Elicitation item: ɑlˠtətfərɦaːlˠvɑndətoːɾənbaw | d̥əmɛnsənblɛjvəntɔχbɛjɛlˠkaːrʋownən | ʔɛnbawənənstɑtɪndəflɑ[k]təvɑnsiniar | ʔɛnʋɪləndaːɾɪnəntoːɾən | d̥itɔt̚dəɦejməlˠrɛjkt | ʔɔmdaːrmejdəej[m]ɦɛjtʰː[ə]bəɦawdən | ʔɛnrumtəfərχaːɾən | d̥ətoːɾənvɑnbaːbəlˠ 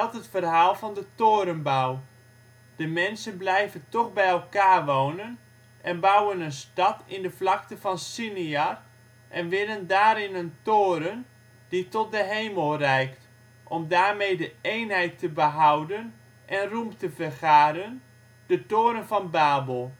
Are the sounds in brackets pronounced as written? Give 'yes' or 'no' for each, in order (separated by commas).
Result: yes, no, yes